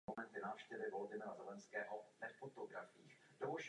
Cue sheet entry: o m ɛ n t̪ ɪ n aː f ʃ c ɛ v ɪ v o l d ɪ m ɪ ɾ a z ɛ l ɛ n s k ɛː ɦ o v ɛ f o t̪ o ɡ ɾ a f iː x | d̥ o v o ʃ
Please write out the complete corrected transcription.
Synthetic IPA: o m ɛ n t̪ ɪ n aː f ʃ c ɛ v ɪ v o l d ɪ m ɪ ɾ a z ɛ l ɛ n s k ɛː ɦ o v ɛ f o t̪ o ɡ ɾ a f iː x | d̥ o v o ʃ